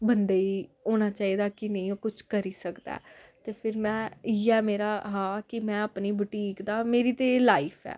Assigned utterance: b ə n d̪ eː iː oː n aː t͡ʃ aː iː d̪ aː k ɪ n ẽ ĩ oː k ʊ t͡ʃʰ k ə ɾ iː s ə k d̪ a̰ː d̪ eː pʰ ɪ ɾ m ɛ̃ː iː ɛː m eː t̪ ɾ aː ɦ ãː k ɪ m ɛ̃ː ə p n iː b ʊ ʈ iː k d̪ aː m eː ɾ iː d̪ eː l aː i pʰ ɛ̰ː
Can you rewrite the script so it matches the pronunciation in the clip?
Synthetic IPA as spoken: b ə n d̪ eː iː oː n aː t͡ʃ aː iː d̪ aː k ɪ n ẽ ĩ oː k ʊ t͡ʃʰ k ə ɾ iː s ə k d̪ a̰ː t̪ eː pʰ ɪ ɾ m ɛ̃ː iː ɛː m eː ɾ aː ɦ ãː k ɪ m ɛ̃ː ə p n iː b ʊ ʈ iː k d̪ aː m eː ɾ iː t̪ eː l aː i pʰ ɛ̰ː